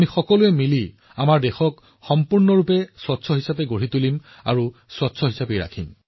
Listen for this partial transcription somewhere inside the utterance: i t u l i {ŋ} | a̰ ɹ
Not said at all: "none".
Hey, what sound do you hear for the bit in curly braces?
m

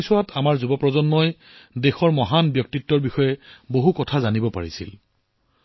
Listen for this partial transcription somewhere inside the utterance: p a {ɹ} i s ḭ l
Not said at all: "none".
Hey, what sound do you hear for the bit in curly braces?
ɹ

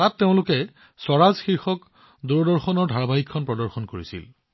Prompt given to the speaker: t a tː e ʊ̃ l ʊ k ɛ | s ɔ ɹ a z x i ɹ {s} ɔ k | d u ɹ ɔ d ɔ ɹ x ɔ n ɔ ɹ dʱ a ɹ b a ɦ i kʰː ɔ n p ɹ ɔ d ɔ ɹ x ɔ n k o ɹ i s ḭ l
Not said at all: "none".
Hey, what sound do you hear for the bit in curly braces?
x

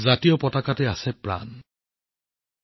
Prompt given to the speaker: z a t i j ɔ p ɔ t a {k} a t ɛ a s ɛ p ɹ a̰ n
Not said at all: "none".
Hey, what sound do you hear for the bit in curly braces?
k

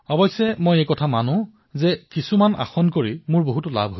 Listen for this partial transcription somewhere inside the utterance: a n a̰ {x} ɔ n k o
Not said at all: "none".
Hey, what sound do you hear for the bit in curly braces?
x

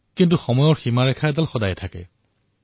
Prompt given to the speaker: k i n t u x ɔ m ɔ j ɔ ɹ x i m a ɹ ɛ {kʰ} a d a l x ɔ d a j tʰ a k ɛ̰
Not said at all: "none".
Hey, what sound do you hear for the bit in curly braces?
kʰ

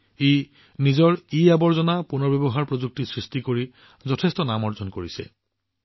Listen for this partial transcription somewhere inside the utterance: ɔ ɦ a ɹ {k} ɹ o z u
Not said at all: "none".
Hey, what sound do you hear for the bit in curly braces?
p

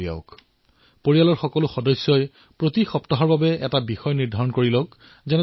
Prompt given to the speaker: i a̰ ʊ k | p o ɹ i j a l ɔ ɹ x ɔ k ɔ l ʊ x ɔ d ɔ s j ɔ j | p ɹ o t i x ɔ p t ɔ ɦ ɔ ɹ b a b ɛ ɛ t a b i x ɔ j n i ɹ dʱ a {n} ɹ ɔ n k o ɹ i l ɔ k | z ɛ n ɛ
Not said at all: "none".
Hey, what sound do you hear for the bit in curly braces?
none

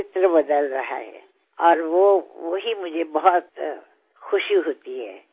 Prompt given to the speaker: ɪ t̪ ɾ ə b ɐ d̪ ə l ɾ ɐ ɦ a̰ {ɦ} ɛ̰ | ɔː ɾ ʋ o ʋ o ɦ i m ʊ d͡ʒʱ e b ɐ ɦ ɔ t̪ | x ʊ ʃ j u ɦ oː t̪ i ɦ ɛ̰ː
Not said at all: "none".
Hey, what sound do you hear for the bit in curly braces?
ɦ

